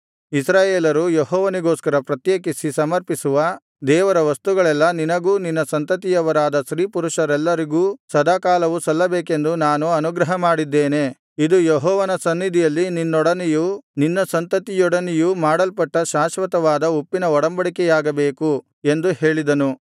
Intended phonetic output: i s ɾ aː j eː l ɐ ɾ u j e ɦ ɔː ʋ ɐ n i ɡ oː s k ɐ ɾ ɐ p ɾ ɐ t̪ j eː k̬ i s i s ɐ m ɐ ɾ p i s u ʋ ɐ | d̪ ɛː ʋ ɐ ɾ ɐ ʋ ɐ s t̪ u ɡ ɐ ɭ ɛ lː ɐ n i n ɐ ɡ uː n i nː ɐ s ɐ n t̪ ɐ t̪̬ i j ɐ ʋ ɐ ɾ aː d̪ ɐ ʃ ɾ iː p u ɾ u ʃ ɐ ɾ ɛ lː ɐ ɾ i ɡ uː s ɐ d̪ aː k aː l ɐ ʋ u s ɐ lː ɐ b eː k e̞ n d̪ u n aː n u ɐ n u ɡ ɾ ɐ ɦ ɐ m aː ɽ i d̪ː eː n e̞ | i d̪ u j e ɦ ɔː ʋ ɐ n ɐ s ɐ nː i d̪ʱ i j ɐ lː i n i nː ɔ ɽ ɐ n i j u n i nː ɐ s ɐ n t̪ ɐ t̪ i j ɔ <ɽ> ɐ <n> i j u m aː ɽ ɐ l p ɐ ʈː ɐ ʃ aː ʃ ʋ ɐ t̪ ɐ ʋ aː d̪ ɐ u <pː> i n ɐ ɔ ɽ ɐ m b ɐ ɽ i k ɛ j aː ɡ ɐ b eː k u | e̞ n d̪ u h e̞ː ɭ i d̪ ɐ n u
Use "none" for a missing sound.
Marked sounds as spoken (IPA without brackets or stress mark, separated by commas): ɽ, n, pː